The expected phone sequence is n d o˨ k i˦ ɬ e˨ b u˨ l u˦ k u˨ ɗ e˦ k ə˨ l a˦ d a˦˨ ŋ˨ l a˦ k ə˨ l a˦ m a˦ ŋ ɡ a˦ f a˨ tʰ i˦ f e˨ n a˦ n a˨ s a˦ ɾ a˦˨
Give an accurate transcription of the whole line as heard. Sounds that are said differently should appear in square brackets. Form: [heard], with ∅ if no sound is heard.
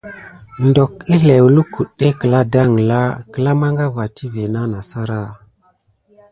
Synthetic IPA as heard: n d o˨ k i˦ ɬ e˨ [w] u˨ l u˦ k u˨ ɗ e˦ k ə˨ l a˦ d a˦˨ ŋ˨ l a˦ k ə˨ l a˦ m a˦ ŋ ɡ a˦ [v] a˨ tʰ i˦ [v] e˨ n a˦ n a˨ s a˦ ɾ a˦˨